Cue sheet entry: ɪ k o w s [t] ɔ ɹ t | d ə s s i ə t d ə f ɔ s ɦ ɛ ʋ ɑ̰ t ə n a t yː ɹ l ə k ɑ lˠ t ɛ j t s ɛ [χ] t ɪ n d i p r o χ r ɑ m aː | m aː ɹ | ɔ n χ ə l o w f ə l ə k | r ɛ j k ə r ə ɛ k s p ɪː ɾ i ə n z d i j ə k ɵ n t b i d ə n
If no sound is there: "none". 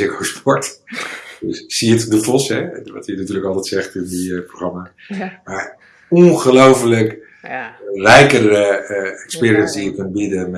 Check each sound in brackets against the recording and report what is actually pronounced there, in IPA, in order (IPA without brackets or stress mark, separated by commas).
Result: p, χ